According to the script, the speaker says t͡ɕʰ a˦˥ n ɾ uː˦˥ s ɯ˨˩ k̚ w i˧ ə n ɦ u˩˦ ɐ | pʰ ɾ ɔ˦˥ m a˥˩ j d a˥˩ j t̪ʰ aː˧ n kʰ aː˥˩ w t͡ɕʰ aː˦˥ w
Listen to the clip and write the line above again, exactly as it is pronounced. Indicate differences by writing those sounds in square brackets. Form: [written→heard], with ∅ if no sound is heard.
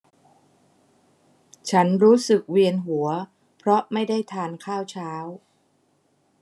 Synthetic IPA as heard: t͡ɕʰ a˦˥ n ɾ uː˦˥ s ɯ˨˩ k̚ w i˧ ə n ɦ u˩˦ ɐ | pʰ ɾ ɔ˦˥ m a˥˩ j d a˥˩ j t̪ʰ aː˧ n kʰ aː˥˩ w t͡ɕʰ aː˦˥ w

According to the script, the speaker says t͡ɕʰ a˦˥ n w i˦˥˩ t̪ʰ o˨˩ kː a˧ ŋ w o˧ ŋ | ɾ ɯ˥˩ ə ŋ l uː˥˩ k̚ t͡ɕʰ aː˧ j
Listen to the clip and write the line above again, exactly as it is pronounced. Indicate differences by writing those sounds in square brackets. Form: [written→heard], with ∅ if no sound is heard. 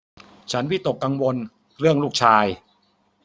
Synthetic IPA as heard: t͡ɕʰ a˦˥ n w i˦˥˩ [t̪ʰ→t̪] o˨˩ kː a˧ ŋ w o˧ [ŋ→n] | ɾ ɯ˥˩ ə ŋ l uː˥˩ k̚ t͡ɕʰ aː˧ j

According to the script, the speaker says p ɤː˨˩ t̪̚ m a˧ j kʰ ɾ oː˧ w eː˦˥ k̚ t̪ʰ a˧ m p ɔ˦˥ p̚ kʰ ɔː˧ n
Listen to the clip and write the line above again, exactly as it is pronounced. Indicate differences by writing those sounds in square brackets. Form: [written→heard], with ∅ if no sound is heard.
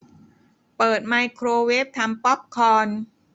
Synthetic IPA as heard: p ɤː˨˩ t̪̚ m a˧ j kʰ ɾ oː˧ w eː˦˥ [k̚→p̚] t̪ʰ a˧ m p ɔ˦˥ p̚ kʰ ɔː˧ n

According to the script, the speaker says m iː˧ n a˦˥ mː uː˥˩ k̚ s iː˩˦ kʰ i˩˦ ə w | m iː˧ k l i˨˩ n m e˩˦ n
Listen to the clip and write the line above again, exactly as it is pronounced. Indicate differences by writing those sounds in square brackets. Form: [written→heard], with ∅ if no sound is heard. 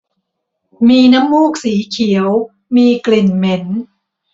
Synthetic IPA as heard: m iː˧ n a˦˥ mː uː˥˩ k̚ s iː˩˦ kʰ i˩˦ ə w | m iː˧ k l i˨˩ n m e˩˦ n

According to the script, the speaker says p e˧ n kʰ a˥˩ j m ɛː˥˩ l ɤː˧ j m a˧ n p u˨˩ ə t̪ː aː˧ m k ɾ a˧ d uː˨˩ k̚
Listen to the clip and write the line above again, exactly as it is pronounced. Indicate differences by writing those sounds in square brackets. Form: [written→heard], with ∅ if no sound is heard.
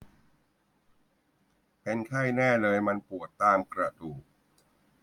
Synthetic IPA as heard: p e˧ n kʰ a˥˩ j [m→n] ɛː˥˩ l ɤː˧ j m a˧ n p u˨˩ ə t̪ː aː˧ m k ɾ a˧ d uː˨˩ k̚

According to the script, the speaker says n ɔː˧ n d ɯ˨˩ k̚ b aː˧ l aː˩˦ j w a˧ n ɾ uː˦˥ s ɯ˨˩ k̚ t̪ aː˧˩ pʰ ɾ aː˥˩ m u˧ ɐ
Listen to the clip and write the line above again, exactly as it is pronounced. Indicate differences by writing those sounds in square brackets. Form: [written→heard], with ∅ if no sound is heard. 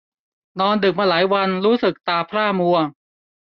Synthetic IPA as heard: n ɔː˧ n d ɯ˨˩ k̚ [b→m] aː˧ l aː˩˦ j w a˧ n ɾ uː˦˥ s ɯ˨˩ k̚ t̪ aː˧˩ pʰ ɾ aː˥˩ m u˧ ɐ

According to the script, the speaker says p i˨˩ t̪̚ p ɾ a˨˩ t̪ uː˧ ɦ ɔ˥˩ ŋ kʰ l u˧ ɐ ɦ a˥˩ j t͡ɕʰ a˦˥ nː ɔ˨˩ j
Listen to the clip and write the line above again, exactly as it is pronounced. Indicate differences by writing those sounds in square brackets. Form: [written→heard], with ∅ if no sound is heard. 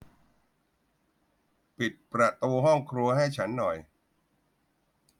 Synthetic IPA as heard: p i˨˩ t̪̚ p ɾ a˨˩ t̪ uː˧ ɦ ɔ˥˩ ŋ kʰ [l→ɾ] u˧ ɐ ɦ a˥˩ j t͡ɕʰ a˦˥ nː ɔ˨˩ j

